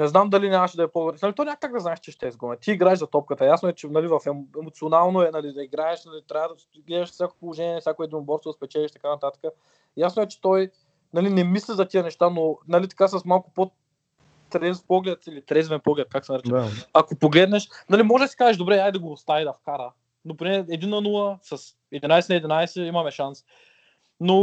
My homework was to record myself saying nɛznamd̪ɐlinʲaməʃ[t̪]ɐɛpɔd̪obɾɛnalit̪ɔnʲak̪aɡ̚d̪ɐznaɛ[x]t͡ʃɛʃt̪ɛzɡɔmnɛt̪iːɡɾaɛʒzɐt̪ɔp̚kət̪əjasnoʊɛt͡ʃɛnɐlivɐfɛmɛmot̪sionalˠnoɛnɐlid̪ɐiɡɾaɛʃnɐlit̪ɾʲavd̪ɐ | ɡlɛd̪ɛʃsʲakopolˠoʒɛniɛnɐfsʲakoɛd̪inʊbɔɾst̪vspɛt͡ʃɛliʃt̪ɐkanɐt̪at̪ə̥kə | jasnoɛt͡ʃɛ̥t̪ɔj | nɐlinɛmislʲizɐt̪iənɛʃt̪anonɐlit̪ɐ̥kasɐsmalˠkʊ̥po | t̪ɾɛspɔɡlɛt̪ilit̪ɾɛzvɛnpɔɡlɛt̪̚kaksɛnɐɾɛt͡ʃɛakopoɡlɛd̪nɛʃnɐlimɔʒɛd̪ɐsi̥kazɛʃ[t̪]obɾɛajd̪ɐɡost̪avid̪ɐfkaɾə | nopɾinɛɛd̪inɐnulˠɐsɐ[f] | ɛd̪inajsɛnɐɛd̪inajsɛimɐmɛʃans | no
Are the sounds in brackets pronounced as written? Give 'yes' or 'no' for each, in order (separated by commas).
no, no, no, no